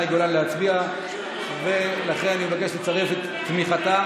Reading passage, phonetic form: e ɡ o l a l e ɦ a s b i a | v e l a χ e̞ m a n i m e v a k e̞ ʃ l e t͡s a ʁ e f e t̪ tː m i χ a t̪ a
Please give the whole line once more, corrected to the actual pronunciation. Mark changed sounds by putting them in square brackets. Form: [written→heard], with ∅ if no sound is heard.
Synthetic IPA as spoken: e ɡ o l a l e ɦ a [s→t͡s] b i a | v e l a χ e̞ [m→n] a n i m e v a k e̞ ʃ l e t͡s a ʁ e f e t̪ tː m i χ a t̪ a